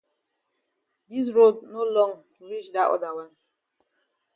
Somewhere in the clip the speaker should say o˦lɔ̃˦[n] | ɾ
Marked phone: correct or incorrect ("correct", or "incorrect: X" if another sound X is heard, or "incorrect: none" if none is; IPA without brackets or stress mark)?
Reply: incorrect: ŋ